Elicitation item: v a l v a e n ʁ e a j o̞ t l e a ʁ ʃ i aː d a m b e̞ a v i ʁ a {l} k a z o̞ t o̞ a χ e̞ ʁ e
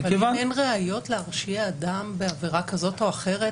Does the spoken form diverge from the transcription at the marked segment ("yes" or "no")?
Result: yes